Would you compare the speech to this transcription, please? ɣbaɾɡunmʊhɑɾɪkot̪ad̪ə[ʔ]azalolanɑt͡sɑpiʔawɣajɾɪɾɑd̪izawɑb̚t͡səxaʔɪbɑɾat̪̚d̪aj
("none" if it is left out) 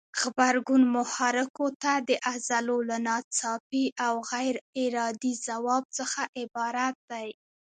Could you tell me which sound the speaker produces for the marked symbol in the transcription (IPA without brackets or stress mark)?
ʔ